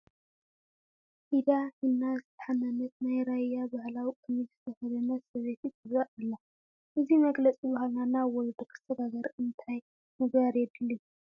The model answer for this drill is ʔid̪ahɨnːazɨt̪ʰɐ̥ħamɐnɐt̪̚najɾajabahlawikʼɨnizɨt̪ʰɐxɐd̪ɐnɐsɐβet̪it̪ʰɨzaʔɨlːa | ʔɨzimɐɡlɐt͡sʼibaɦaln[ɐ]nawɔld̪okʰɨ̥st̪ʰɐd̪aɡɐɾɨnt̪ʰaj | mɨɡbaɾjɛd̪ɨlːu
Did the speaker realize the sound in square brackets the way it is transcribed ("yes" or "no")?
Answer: no